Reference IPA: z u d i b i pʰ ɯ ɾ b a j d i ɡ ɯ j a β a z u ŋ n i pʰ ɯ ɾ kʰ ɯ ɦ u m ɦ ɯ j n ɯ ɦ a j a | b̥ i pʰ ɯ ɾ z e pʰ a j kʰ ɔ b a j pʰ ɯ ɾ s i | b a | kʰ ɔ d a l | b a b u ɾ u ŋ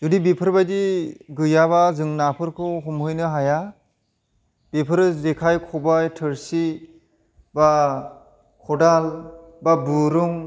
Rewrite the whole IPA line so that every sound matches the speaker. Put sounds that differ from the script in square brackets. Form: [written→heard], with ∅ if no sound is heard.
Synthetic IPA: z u d i b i pʰ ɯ ɾ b a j d i ɡ ɯ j a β a z [u→ɯ] ŋ n [i→a] pʰ ɯ ɾ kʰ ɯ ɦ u m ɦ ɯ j n ɯ ɦ a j a | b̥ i pʰ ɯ ɾ z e [pʰ→kʰ] a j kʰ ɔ b a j [pʰ→tʰ] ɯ ɾ s i | b a | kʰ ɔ d a l | b a b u ɾ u ŋ